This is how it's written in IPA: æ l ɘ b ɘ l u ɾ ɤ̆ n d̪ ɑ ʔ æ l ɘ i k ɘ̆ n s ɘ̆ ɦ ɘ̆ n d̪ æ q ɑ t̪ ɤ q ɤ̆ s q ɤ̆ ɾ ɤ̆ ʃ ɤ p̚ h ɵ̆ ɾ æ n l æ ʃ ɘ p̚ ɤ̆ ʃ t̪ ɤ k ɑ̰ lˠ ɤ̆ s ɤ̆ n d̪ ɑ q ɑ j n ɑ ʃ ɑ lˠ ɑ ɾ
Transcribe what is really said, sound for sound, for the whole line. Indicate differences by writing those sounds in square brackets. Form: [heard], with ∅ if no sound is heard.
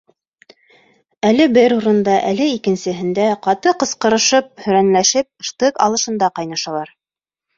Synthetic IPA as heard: æ l ɘ b ɘ [ɾ] u ɾ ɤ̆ n d̪ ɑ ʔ æ l ɘ i k ɘ̆ n s ɘ̆ ɦ ɘ̆ n d̪ æ q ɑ t̪ ɤ q ɤ̆ s q ɤ̆ ɾ ɤ̆ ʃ ɤ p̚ h ɵ̆ ɾ æ n l æ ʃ ɘ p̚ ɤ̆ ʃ t̪ ɤ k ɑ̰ lˠ ɤ̆ [ʃ] ɤ̆ n d̪ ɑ q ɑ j n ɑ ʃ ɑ lˠ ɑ ɾ

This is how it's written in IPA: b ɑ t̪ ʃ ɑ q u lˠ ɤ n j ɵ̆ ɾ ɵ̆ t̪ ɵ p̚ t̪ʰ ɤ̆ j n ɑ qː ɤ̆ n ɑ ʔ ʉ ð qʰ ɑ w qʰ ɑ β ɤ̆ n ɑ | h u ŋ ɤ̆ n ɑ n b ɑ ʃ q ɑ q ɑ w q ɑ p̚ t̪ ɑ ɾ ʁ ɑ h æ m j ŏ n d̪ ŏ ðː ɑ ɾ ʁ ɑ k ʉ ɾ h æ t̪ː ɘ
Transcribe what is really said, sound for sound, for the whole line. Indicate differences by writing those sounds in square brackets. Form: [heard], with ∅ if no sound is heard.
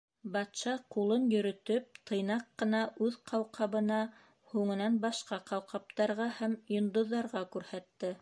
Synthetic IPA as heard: b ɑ t̪ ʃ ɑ q u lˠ ɤ n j ɵ̆ ɾ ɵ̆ t̪ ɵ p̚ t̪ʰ ɤ̆ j n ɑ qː ɤ̆ n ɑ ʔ ʉ ð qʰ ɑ w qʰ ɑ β ɤ̆ n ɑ | h u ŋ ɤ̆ n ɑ n b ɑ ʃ q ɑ q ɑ w q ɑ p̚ t̪ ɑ ɾ ʁ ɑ h æ m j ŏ n d̪ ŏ ðː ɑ ɾ ʁ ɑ k ʉ ɾ h æ t̪ː ɘ

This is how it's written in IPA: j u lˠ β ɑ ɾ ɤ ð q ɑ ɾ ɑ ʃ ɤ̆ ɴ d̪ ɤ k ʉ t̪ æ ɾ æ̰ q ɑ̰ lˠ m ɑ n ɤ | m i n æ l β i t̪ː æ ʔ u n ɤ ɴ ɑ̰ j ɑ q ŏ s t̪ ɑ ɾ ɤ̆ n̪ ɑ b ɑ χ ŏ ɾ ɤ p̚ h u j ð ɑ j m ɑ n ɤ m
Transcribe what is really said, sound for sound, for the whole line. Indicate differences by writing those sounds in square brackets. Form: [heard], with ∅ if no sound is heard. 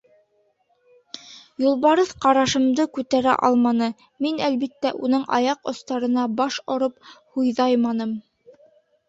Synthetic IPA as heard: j u lˠ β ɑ ɾ ɤ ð q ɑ ɾ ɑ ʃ ɤ̆ [m] d̪ ɤ k ʉ t̪ æ ɾ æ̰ [ʔ] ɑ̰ lˠ m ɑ n ɤ | m i n æ l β i t̪ː æ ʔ u n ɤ ɴ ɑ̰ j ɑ q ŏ s t̪ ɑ ɾ ɤ̆ n̪ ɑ b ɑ [ʃ] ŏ ɾ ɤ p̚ h u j ð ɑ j m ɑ n ɤ m

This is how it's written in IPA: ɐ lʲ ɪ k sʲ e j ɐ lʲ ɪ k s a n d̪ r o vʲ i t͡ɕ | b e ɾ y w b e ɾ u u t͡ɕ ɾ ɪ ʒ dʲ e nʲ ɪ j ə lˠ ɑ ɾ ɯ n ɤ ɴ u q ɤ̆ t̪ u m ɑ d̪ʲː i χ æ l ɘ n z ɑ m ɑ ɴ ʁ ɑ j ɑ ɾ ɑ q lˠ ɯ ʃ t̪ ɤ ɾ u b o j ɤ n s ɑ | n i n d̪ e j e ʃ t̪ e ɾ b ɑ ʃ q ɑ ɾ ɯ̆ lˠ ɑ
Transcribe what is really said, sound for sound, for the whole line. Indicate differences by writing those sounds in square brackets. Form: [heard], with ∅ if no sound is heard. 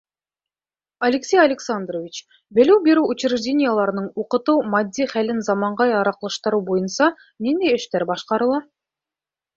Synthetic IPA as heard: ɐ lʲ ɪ k sʲ e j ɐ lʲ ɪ k s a n d̪ r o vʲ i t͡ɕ | b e [l] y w b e ɾ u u t͡ɕ ɾ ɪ ʒ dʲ e nʲ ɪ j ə lˠ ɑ ɾ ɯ n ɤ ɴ u q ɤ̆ t̪ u m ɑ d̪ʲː i χ æ l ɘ n z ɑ m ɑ ɴ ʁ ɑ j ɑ ɾ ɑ q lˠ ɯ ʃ t̪ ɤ ɾ u b o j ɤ n s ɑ | n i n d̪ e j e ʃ t̪ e ɾ b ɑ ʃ q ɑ ɾ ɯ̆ lˠ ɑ

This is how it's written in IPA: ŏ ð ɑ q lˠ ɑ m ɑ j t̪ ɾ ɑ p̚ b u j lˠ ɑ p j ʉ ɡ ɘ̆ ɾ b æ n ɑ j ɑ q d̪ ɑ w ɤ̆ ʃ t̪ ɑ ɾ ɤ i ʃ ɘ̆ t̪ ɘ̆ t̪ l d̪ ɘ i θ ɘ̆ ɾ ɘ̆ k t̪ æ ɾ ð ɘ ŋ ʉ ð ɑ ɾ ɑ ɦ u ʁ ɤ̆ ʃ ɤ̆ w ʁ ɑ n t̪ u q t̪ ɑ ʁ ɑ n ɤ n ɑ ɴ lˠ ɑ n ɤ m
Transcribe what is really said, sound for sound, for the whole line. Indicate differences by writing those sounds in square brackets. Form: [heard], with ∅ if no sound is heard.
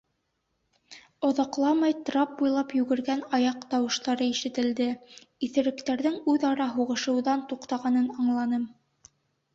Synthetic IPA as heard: ŏ ð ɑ q lˠ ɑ m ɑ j t̪ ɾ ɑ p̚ b u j lˠ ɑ p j ʉ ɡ ɘ̆ ɾ [ɡ] æ n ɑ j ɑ q [t̪] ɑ w ɤ̆ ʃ t̪ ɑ ɾ ɤ i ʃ ɘ̆ t̪ ɘ̆ [∅] l d̪ ɘ i θ ɘ̆ ɾ ɘ̆ k t̪ æ ɾ ð ɘ ŋ ʉ ð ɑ ɾ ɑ ɦ u ʁ ɤ̆ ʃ ɤ̆ w [ð] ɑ n t̪ u q t̪ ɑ ʁ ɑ n ɤ n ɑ ɴ lˠ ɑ n ɤ m

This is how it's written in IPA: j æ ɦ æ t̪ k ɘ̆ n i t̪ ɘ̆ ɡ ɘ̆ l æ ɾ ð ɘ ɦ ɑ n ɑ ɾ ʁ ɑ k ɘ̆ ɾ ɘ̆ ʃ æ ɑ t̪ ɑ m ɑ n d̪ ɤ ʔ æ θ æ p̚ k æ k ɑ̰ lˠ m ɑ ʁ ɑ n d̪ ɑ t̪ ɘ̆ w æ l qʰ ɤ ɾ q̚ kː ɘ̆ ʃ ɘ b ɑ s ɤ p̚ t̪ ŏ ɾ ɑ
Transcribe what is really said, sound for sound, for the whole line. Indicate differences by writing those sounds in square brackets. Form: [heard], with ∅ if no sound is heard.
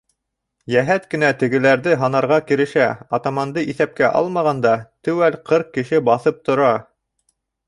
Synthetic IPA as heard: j æ ɦ æ t̪ k ɘ̆ n [æ] t̪ ɘ̆ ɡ ɘ̆ l æ ɾ ð ɘ ɦ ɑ n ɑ ɾ ʁ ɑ k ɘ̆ ɾ ɘ̆ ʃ æ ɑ t̪ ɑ m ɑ n d̪ ɤ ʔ [i] θ æ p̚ k æ [ʔ] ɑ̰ lˠ m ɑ ʁ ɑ n d̪ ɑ t̪ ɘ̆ w æ l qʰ ɤ ɾ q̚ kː ɘ̆ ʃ ɘ b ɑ [θ] ɤ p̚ t̪ ŏ ɾ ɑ

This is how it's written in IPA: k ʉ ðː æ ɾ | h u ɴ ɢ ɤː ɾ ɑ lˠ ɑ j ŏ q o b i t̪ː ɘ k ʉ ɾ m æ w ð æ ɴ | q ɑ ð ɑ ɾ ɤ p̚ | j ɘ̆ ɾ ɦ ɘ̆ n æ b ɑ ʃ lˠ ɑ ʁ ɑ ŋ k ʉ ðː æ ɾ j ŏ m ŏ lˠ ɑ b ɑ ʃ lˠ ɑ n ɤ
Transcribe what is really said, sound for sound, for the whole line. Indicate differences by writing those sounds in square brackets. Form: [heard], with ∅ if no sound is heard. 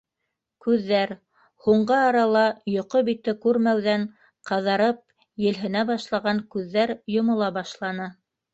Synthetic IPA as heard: k ʉ ðː æ ɾ | h u ɴ ɢ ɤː ɾ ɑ lˠ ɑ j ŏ q o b i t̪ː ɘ k ʉ ɾ m æ w ð æ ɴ | q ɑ ð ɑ ɾ ɤ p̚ | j ɘ̆ [l] ɦ ɘ̆ n æ b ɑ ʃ lˠ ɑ ʁ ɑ ŋ k ʉ ðː æ ɾ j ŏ m ŏ lˠ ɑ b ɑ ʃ lˠ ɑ n ɤ

